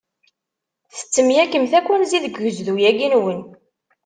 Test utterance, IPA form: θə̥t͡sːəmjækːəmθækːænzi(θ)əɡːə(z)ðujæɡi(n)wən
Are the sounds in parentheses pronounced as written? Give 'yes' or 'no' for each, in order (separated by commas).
no, yes, yes